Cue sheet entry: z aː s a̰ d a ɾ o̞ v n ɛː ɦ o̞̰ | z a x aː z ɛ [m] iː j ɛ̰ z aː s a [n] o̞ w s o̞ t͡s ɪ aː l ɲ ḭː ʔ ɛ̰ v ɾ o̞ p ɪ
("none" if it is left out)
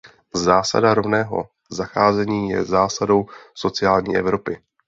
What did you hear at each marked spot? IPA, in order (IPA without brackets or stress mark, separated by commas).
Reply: ɲ, d